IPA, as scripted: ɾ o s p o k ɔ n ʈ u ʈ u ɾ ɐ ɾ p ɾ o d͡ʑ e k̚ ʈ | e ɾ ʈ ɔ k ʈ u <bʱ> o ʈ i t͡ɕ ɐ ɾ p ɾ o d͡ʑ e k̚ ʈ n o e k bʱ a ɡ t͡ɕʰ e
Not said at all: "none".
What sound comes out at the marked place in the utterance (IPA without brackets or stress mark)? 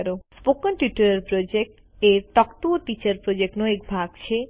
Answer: none